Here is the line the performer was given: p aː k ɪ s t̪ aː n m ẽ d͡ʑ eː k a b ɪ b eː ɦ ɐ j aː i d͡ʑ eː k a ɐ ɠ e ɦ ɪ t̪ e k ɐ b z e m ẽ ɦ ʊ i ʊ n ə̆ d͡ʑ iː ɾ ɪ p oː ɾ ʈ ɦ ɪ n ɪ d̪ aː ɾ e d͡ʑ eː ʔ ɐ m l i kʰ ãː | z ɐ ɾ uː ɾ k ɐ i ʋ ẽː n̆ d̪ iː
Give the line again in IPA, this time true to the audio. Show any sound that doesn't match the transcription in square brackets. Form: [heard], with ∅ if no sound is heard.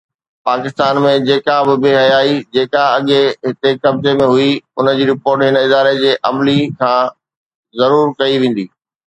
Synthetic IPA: p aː k ɪ s t̪ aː n m ẽ d͡ʑ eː k a b ɪ b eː ɦ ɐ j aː i d͡ʑ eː k a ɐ ɠ e ɦ ɪ t̪ e k ɐ b z e m ẽ ɦ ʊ i ʊ n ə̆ d͡ʑ iː ɾ ɪ p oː ɾ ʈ ɦ ɪ n ɪ d̪ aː ɾ e d͡ʑ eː ʔ ɐ m l i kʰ ãː | z ɐ ɾ uː ɾ k ɐ i ʋ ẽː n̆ d̪ iː

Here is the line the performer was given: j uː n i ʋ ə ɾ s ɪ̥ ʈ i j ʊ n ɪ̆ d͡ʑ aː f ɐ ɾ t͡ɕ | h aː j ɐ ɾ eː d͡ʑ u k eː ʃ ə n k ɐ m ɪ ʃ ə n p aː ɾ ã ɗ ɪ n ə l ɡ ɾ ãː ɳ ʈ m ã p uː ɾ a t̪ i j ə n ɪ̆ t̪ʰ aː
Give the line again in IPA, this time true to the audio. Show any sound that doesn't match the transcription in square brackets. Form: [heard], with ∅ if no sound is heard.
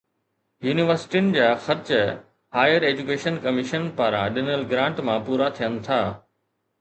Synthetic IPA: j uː n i ʋ ə ɾ s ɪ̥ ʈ i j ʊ n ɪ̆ d͡ʑ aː [x] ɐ ɾ t͡ɕ | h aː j [ə] ɾ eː d͡ʑ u k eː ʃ ə n k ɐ m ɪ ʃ ə n p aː ɾ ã ɗ ɪ n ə l ɡ ɾ ãː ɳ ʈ m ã p uː ɾ a [t̪ʰ] i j ə n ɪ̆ t̪ʰ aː

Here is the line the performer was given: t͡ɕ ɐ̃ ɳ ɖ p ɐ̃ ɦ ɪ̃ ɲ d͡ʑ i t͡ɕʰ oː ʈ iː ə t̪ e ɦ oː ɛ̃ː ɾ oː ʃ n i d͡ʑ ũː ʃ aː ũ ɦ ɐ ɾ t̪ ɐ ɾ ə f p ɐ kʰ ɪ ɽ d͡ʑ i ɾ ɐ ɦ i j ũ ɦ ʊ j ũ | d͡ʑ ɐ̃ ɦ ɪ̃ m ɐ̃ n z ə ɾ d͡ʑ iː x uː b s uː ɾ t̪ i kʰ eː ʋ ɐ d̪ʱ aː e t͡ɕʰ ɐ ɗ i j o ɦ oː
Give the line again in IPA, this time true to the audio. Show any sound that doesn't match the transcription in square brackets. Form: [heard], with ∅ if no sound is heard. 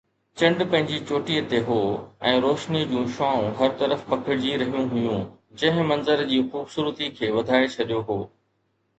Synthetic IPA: t͡ɕ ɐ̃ ɳ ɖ p ɐ̃ ɦ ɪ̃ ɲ d͡ʑ i [t͡ɕ] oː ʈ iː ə t̪ e ɦ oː ɛ̃ː ɾ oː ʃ n i d͡ʑ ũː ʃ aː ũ ɦ ɐ ɾ t̪ ɐ ɾ ə f p ɐ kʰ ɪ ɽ d͡ʑ i ɾ ɐ ɦ i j ũ ɦ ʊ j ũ | d͡ʑ ɐ̃ ɦ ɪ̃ m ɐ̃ n z ə ɾ d͡ʑ iː x uː b s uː ɾ t̪ i kʰ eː ʋ ɐ d̪ʱ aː e t͡ɕʰ ɐ ɗ i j o ɦ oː

